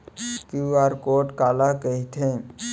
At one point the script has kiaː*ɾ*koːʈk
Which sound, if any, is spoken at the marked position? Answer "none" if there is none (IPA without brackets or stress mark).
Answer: ɾ